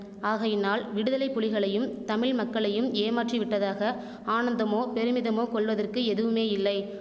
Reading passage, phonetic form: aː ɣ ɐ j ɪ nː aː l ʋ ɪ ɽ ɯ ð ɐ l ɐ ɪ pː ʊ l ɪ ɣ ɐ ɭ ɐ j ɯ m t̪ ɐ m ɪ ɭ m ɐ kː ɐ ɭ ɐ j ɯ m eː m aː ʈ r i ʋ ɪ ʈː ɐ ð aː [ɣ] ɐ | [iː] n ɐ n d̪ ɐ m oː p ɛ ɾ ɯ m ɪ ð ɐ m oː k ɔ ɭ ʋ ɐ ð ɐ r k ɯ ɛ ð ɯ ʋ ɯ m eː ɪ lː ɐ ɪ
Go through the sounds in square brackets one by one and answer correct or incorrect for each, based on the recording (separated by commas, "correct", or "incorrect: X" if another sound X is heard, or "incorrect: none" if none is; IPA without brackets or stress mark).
correct, incorrect: aː